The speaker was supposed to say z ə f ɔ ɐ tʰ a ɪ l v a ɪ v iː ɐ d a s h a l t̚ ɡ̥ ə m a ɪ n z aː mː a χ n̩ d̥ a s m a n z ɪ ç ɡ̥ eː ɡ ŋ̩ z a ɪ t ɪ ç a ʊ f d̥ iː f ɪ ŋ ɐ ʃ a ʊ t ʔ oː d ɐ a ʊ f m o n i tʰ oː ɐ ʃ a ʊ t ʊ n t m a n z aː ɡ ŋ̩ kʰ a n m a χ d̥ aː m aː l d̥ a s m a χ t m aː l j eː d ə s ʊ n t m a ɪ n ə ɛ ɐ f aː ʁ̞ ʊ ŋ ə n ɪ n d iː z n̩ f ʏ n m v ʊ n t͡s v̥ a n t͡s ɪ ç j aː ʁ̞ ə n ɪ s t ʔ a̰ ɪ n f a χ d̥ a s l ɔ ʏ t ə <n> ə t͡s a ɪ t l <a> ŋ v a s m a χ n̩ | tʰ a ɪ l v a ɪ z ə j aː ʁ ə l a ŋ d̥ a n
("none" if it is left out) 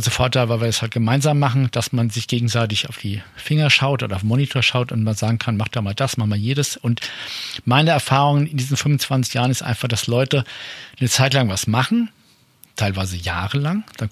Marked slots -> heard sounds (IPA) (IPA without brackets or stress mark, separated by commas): n, a